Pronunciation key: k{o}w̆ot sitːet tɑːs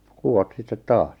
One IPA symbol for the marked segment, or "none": u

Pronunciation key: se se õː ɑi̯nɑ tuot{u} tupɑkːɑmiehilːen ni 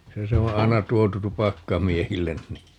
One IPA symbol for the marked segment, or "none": u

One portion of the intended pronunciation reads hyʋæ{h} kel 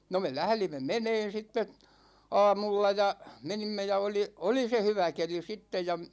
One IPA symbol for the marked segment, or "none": none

